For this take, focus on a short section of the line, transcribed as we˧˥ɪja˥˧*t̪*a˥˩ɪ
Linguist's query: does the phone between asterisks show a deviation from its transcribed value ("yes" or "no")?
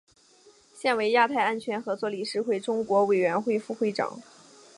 yes